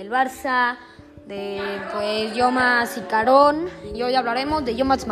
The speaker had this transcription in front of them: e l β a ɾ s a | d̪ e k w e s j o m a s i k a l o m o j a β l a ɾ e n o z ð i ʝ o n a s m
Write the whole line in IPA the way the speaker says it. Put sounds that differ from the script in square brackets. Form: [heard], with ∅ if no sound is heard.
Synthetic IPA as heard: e l β a ɾ s a | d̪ e [p] w e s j o m a s i k a [ɾ] o [n] o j a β l a ɾ e [m] o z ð [e] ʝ o [m] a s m